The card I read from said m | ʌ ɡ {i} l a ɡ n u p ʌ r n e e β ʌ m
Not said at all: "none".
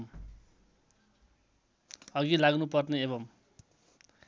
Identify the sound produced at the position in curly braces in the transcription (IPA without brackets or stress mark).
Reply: i